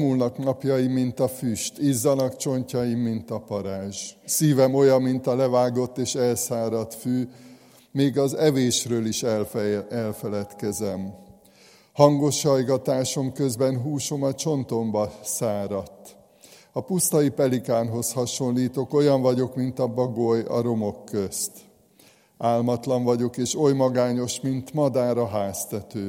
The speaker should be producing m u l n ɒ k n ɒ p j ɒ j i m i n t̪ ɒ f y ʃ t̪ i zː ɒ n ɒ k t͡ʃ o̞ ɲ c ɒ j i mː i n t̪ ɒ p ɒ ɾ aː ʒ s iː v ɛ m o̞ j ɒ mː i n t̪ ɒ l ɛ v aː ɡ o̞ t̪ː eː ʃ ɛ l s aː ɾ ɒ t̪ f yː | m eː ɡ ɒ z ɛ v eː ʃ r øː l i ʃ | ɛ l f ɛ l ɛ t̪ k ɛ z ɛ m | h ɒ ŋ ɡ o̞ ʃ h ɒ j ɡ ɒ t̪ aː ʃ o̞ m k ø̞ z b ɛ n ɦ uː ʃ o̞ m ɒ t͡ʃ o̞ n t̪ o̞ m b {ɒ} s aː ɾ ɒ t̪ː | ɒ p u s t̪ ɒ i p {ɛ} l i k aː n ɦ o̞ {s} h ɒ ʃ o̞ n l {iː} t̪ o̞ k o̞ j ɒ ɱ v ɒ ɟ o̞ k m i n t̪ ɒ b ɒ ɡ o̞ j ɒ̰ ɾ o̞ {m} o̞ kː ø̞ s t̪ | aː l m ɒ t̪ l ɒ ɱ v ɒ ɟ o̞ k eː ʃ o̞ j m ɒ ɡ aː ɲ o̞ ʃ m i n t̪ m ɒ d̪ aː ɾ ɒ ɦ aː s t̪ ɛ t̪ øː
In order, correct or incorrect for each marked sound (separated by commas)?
correct, correct, correct, correct, correct